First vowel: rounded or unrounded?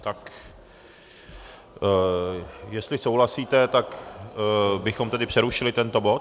unrounded